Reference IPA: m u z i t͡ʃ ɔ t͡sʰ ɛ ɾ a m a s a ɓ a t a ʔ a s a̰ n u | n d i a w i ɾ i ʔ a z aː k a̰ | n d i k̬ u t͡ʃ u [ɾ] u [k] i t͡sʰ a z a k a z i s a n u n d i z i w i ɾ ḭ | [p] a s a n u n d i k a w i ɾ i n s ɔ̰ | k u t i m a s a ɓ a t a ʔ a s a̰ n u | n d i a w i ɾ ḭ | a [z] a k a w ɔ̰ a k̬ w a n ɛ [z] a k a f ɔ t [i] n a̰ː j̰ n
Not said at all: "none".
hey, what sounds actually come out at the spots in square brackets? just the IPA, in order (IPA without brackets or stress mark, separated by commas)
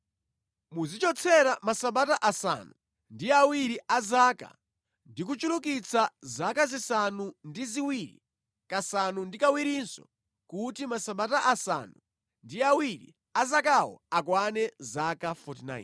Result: l, k, k, z, z, i